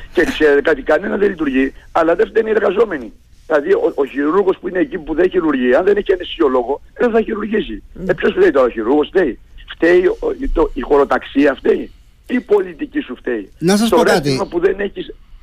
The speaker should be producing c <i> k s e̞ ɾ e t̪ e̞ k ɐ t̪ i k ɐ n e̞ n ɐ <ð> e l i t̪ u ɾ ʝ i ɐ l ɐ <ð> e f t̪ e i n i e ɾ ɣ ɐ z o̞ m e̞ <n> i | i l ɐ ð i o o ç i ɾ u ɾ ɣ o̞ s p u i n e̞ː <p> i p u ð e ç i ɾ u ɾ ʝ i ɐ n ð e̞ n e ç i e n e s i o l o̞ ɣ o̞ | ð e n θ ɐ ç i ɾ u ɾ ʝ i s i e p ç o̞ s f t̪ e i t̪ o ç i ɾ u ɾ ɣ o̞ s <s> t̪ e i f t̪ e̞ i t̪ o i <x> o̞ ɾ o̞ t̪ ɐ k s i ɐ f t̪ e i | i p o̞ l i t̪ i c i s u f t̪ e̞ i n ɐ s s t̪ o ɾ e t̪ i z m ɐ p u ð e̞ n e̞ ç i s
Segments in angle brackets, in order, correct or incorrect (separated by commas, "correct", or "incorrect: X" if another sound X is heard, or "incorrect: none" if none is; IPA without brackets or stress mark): incorrect: e, correct, correct, correct, incorrect: c, incorrect: f, correct